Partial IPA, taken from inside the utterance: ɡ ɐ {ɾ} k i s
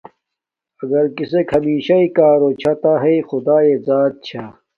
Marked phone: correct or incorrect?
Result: correct